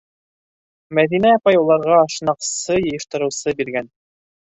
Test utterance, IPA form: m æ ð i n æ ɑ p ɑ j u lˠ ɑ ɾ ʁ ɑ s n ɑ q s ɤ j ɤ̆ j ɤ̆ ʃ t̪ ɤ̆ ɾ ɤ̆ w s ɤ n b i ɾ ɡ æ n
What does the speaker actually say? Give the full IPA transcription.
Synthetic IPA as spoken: m æ ð i n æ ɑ p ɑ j u lˠ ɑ ɾ ʁ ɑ ʃ n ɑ q s ɤ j ɤ̆ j ɤ̆ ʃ t̪ ɤ̆ ɾ ɤ̆ w s ɤ b i ɾ ɡ æ n